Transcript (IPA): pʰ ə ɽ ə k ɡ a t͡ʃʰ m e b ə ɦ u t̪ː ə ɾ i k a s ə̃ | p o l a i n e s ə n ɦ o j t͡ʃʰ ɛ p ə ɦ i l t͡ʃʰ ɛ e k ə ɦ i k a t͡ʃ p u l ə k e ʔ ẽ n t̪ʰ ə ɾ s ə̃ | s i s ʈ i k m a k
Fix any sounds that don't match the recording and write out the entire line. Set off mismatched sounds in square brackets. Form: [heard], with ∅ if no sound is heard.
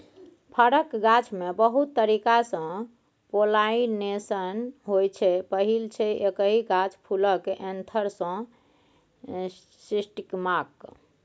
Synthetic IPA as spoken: pʰ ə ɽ ə k ɡ a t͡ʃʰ m e b ə ɦ u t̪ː ə ɾ i k a s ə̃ | p o l a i n e s ə n ɦ o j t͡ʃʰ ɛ p ə ɦ i l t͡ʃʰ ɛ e k ə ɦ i [ɡ] a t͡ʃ [pʰ] u l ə k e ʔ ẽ n t̪ʰ ə ɾ s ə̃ | s i s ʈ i k m a k